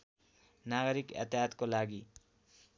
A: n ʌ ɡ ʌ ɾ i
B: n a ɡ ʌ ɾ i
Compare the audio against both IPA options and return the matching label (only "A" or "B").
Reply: B